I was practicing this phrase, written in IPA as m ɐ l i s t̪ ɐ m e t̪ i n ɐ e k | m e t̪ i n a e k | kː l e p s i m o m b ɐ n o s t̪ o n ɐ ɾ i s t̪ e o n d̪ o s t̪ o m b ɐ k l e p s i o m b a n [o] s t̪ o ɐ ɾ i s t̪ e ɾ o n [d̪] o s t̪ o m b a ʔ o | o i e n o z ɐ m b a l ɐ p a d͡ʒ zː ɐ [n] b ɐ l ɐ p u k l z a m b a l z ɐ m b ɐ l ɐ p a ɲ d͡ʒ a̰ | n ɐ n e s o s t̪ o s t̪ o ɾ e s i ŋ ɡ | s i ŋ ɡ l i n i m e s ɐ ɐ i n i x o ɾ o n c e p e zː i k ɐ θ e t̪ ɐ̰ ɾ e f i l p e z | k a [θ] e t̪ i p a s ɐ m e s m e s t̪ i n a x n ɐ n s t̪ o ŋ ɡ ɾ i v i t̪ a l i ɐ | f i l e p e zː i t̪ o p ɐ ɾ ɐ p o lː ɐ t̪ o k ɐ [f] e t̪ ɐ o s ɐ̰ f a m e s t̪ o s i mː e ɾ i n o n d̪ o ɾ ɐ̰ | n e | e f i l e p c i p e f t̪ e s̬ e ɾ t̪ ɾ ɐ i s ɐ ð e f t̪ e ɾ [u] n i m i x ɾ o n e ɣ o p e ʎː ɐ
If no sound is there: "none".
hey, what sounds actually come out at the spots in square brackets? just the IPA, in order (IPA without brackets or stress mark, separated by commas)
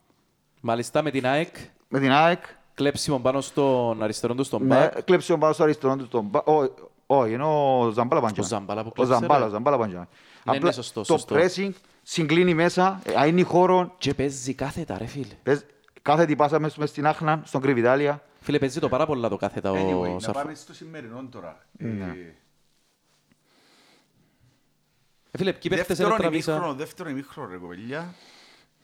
o, d̪, m, θ, θ, o